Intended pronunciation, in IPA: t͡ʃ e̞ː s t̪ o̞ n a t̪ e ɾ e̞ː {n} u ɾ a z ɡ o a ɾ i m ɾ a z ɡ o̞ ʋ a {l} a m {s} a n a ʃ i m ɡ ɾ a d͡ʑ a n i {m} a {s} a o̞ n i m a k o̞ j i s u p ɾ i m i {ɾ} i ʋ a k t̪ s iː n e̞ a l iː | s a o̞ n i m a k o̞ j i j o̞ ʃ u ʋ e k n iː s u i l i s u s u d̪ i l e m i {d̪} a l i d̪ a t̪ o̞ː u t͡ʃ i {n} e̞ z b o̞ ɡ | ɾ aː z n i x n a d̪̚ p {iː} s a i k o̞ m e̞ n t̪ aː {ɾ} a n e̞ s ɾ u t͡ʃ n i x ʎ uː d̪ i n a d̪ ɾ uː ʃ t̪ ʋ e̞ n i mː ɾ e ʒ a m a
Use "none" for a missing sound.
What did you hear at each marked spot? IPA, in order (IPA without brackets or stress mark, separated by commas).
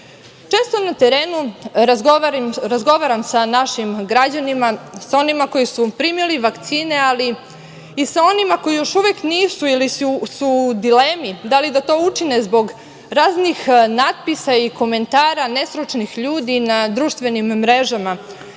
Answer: n, ɾ, s, m, s, l, d̪, n, i, ɾ